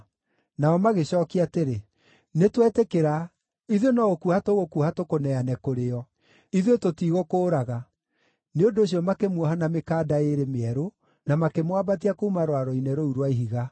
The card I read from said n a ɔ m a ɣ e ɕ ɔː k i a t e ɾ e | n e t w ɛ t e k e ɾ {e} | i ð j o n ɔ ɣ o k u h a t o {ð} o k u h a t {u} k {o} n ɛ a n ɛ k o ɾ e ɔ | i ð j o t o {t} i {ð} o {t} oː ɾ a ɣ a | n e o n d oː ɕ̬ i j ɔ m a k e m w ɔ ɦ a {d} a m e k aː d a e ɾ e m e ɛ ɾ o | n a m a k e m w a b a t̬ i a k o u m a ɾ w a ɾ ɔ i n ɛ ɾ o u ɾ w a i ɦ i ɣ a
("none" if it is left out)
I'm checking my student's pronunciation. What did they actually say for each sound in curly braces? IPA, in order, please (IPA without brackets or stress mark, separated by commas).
a, ɣ, o, o, t, ɣ, k, n